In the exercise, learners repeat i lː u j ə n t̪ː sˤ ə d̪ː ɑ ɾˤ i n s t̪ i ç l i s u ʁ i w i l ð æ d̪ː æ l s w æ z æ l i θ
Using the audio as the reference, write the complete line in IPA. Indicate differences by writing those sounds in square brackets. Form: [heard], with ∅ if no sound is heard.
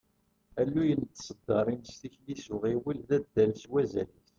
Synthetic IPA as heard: [æ] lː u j ə n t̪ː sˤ ə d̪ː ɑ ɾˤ i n s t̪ i ç l i s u ʁ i w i l ð æ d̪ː æ l s w æ z æ l i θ

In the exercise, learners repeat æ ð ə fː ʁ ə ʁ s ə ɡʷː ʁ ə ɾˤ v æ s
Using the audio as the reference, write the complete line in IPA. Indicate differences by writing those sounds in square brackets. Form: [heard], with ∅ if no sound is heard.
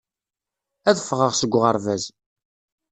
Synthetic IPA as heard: æ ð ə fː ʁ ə ʁ s ə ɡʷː ʁ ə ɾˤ v æ [z]

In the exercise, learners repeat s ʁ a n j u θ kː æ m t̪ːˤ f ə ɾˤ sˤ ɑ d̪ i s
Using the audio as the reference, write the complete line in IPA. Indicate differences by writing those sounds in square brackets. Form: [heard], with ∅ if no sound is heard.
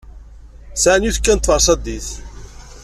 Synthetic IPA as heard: s [ʕ] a n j u θ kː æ [n] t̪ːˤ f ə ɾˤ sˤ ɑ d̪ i [θ]

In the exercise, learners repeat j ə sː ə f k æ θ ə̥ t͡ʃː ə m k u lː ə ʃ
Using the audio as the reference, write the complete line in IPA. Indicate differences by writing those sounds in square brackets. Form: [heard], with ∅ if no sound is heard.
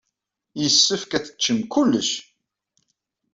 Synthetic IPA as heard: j ə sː ə f k æ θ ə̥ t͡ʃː ə m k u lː ə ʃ

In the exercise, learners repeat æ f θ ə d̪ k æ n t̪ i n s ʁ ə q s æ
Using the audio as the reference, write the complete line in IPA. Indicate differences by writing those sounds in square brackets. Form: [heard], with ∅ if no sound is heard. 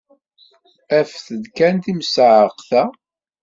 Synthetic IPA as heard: æ f θ ə d̪ k æ n t̪ i [m] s [ʕ] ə q [θ] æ

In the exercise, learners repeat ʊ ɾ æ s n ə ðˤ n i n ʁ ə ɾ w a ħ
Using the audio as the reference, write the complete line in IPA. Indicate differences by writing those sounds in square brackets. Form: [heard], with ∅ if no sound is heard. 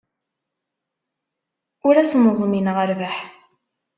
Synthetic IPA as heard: ʊ ɾ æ s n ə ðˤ [m] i n ʁ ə ɾ [v] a ħ

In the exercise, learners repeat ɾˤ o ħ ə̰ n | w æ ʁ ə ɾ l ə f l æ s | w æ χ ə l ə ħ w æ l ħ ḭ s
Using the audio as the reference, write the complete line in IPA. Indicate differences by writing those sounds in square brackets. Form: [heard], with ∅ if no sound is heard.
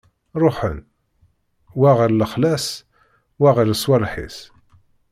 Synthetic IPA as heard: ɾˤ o ħ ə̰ n | w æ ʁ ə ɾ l ə [χ] l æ s | w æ [ʁ] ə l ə [s] w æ l ħ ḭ s

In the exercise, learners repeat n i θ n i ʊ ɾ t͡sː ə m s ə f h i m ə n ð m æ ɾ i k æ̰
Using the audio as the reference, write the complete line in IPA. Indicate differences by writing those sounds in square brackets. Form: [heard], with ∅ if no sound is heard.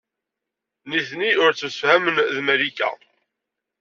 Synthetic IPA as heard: n i θ n i ʊ ɾ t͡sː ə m s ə f h [æ] m ə n ð m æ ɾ i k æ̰

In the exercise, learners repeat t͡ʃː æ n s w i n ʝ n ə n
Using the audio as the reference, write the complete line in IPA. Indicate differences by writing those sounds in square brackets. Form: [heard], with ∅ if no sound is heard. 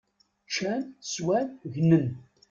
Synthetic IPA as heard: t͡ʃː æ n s w [æ] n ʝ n ə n

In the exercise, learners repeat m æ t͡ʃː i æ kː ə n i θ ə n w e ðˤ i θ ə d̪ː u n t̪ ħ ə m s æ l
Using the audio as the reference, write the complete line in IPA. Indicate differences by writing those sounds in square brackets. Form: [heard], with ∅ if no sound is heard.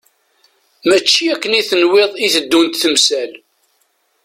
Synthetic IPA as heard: m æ t͡ʃː i æ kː ə n i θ ə n w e ðˤ i θ ə d̪ː u n t̪ [θ] ə m s æ l

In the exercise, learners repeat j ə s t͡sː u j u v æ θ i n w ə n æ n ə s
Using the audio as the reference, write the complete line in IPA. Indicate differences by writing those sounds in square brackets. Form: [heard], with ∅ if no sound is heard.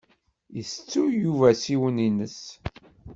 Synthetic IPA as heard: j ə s t͡sː u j u v æ [s] i [∅] w ə n [i] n ə s

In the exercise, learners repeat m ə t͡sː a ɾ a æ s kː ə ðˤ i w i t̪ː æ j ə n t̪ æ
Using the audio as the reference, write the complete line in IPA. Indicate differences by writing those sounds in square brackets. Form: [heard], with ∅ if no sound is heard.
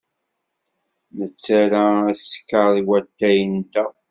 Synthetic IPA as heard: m ə t͡sː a ɾ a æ s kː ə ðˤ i w [æ] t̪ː æ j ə n t̪ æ

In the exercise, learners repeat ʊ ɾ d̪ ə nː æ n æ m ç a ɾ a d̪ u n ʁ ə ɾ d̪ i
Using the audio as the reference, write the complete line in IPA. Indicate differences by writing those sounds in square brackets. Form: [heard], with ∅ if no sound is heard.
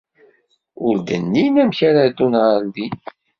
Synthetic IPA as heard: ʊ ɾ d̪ ə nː [i] n æ m ç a ɾ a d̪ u n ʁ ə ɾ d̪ i

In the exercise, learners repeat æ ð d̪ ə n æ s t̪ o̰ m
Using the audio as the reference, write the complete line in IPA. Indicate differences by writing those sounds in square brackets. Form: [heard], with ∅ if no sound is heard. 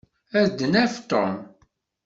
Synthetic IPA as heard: æ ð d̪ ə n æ [f] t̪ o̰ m

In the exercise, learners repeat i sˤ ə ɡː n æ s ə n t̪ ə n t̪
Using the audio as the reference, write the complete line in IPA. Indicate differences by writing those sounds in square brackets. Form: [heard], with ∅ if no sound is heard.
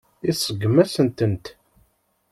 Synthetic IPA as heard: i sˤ ə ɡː [m] æ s ə n t̪ ə n t̪

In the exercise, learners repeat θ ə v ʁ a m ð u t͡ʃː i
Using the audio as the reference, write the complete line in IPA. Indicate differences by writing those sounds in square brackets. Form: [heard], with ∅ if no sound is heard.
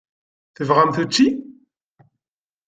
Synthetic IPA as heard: θ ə v ʁ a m [θ] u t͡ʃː i

